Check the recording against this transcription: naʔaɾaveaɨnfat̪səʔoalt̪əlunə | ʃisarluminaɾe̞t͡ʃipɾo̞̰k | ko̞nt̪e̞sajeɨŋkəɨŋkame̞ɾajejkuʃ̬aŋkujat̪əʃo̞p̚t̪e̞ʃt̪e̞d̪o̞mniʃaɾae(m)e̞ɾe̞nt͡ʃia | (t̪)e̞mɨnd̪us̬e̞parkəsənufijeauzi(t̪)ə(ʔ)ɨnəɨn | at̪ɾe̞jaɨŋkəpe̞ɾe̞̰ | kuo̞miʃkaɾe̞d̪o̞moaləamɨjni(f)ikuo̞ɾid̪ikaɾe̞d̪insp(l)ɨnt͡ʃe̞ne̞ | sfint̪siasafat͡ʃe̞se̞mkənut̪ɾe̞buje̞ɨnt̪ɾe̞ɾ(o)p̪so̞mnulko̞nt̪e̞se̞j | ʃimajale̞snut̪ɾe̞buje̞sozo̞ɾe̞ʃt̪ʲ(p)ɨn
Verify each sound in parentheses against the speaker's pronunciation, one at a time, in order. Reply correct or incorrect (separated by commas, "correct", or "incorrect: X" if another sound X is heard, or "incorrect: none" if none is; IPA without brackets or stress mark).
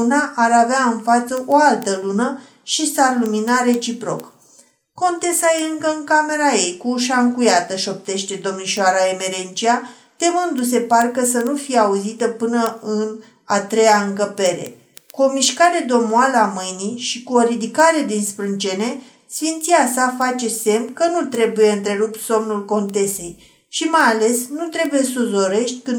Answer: correct, correct, correct, incorrect: p, incorrect: ʃ, incorrect: ɾ, incorrect: u, incorrect: k